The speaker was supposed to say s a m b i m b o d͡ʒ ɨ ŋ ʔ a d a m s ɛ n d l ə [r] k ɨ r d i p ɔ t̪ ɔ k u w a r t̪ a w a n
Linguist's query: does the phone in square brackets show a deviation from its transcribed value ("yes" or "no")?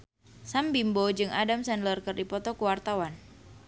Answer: no